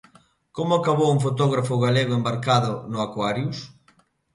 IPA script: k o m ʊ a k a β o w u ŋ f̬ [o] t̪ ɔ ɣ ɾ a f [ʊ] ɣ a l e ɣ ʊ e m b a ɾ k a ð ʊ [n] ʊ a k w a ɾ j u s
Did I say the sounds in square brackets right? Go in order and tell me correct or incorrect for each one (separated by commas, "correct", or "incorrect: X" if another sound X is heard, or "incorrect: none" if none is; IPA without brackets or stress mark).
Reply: correct, correct, correct